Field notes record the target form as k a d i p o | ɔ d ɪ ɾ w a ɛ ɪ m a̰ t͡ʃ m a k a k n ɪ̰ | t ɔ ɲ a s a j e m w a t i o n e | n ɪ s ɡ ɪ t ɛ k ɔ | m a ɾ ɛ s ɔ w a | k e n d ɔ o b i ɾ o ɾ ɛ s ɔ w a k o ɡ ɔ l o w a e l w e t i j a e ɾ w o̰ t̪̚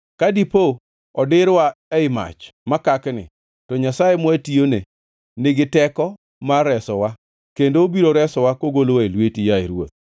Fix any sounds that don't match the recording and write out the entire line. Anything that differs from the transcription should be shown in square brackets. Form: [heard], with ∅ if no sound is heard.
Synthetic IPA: k a d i p o | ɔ d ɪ ɾ w a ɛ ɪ m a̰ t͡ʃ m a k a k n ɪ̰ | t ɔ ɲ a s a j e m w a t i o n e | n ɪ [∅] ɡ ɪ t ɛ k ɔ | m a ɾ ɛ s ɔ w a | k e n d [o] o b i ɾ o ɾ ɛ s ɔ w a k o ɡ [o] l o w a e l w e t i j a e ɾ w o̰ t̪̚